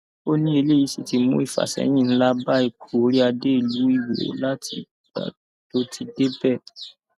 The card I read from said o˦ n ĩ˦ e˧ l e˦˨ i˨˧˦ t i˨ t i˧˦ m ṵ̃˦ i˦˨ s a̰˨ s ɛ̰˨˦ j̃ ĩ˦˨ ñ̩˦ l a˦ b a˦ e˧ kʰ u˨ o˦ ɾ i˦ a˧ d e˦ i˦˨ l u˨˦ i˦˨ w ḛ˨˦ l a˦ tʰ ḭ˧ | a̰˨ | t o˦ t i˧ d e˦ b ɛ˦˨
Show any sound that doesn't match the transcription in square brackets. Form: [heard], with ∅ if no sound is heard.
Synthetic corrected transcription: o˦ n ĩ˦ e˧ l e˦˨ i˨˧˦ [s] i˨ t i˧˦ m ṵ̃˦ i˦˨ [f] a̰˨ s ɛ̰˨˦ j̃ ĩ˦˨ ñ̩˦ l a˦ b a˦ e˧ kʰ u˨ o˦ ɾ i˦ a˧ d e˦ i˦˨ l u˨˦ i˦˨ w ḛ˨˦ l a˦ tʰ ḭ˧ | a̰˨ | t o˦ t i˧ d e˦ b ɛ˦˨